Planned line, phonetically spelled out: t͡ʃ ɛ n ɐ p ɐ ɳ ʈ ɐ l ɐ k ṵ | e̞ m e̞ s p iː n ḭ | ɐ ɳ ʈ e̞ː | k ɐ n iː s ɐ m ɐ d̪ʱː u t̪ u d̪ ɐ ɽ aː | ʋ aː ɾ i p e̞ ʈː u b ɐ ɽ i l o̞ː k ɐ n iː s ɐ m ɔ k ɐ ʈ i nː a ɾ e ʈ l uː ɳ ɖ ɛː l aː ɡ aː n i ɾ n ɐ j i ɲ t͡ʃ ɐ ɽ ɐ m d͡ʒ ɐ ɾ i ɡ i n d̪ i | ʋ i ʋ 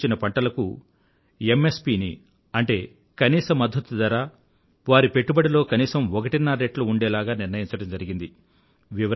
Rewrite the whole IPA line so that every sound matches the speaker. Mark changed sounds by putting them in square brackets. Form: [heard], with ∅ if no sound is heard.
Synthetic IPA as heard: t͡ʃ [i] n ɐ p ɐ ɳ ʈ ɐ l ɐ k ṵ | e̞ m e̞ s p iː n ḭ | ɐ ɳ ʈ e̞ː | k ɐ n iː s ɐ m ɐ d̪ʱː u t̪ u d̪ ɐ [ɾ] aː | ʋ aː ɾ i p e̞ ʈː u b ɐ ɽ i l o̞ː k ɐ n iː s ɐ m ɔ k ɐ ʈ i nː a ɾ e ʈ l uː ɳ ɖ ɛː l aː ɡ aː n i ɾ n ɐ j i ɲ t͡ʃ ɐ ɽ ɐ m d͡ʒ ɐ ɾ i ɡ i n d̪ i | ʋ i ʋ